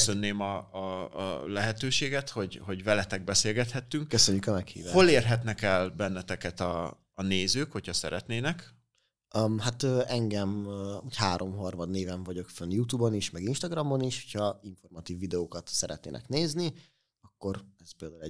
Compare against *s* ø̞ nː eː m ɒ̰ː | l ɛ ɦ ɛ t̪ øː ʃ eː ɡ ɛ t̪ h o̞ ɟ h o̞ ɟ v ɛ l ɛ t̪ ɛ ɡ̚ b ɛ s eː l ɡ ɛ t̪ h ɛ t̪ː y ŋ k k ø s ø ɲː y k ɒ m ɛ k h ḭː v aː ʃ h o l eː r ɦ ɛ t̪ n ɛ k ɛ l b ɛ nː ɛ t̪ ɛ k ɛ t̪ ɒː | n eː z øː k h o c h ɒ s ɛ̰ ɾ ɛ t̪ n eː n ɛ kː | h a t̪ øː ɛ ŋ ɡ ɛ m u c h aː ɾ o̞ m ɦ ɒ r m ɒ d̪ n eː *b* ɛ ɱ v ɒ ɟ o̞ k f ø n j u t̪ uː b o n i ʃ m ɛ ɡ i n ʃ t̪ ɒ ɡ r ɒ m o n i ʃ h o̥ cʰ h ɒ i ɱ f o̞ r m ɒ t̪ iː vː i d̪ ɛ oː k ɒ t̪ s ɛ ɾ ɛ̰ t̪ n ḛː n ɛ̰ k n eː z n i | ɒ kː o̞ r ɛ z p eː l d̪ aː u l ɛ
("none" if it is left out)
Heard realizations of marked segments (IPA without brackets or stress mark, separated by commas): s, v